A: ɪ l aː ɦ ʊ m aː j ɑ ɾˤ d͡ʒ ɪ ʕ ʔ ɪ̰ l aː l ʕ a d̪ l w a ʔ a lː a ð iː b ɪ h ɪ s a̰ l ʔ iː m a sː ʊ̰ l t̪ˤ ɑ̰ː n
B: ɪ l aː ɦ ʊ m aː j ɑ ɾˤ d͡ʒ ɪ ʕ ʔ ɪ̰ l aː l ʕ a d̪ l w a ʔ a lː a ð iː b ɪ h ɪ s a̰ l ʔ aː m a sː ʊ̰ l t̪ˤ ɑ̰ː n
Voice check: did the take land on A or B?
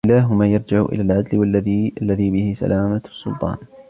B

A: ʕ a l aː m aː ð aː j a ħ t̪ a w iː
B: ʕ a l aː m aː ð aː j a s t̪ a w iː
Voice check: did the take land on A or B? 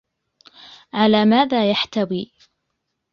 A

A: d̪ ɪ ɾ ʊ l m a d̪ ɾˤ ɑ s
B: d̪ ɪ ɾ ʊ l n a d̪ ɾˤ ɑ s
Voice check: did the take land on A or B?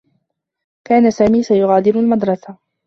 A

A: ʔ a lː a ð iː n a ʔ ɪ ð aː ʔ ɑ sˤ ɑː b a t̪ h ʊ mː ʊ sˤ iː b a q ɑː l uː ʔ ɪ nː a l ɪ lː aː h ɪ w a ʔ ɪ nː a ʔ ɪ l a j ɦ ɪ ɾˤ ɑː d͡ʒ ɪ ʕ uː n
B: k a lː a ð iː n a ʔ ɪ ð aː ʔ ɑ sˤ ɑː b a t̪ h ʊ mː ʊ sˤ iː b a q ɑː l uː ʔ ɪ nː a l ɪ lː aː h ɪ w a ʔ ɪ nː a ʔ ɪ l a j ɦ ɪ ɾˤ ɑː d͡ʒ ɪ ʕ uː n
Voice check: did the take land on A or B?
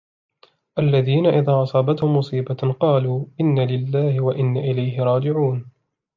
A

